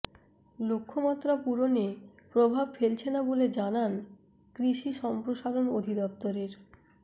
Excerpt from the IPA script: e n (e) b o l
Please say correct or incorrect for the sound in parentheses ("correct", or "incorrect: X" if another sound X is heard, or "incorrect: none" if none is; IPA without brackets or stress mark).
incorrect: a